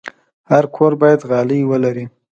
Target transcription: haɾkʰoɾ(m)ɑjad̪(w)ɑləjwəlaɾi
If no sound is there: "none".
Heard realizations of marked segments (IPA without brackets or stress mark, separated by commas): b, ɣ